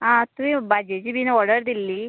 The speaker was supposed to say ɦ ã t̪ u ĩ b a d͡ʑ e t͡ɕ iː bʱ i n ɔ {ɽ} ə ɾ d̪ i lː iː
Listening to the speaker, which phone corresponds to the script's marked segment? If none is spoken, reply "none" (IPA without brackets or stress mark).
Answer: ɽ